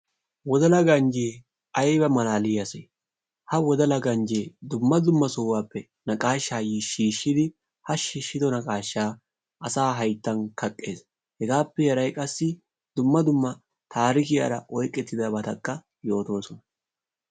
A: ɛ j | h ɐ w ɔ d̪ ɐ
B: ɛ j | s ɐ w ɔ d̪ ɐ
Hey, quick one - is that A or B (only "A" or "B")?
A